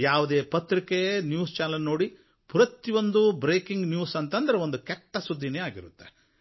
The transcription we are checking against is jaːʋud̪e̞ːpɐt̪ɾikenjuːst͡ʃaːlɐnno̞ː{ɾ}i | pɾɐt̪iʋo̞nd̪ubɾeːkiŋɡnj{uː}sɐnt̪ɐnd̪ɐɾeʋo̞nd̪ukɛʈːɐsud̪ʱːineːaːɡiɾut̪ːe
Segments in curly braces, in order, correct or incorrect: incorrect: ɽ, correct

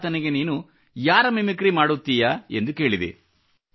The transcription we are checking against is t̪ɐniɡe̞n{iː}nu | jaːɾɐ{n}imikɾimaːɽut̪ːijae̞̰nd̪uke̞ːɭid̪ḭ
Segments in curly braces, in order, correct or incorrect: correct, incorrect: m

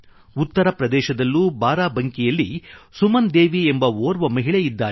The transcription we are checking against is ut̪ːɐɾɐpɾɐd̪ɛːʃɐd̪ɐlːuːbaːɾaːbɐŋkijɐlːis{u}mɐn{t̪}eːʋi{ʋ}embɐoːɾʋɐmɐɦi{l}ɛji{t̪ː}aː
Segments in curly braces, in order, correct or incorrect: correct, incorrect: d̪, incorrect: none, incorrect: ɭ, incorrect: d̪ː

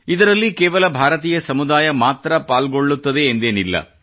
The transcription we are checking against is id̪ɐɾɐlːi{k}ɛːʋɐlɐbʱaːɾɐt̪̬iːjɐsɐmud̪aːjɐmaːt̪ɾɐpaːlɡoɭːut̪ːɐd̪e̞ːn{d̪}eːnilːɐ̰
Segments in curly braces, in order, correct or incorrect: correct, correct

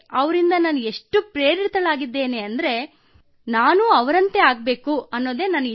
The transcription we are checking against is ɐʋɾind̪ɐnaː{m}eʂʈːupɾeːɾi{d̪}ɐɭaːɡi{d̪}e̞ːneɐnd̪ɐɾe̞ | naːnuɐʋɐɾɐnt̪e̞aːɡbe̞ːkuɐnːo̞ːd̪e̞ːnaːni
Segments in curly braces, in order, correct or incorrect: incorrect: n, incorrect: t̪, incorrect: d̪ː

